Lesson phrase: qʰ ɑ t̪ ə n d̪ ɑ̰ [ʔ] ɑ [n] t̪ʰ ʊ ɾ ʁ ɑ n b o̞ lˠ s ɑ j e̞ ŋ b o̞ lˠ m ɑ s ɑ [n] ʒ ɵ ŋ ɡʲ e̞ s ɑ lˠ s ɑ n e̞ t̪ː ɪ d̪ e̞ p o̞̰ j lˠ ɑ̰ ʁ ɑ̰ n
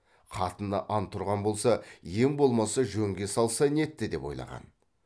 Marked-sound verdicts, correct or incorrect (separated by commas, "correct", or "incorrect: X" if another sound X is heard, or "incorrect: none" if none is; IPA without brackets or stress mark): correct, correct, incorrect: none